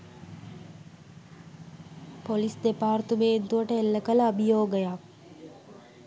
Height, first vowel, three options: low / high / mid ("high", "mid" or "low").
mid